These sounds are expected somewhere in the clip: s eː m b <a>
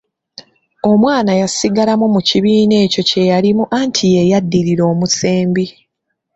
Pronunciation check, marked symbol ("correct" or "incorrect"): incorrect